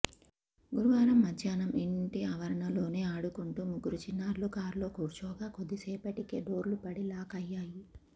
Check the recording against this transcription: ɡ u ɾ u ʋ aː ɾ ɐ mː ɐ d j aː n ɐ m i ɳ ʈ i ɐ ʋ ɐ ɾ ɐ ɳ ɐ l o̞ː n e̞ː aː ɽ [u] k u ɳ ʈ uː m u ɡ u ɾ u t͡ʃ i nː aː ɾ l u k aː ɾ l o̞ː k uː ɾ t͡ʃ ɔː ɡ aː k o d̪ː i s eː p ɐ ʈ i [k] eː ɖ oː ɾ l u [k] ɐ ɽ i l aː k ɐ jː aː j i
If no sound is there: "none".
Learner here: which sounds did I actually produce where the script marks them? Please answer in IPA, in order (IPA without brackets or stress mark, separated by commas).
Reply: u, k, p